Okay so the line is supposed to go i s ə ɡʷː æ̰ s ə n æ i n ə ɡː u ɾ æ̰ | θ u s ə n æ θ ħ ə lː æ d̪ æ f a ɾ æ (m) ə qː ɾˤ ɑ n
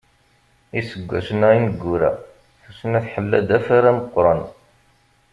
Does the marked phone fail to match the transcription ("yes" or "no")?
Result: no